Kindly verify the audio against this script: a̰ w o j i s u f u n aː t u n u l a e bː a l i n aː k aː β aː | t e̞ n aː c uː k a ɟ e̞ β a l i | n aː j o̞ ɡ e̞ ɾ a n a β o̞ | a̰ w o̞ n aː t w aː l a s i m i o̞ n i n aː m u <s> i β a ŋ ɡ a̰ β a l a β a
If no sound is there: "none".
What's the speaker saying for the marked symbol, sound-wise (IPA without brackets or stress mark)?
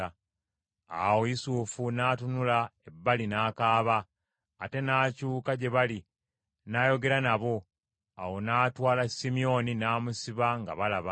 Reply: s